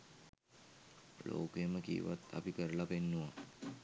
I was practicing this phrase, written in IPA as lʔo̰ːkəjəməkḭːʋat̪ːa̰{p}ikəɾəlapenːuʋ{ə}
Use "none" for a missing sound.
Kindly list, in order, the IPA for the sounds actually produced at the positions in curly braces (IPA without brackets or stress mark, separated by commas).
p, a